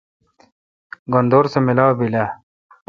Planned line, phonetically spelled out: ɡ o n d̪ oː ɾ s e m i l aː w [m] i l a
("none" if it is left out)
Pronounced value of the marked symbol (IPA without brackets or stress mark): b